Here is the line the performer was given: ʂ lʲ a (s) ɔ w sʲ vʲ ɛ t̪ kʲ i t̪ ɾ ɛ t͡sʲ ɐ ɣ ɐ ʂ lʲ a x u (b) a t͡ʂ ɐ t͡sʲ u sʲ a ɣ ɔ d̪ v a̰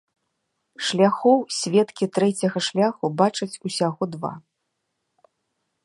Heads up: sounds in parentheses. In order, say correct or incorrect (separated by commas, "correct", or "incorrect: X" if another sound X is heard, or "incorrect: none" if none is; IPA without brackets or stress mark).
incorrect: x, correct